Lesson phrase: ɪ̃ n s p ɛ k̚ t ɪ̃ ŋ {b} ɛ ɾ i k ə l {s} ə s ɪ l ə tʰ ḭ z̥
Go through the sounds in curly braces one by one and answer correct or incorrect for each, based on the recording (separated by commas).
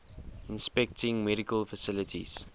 incorrect, incorrect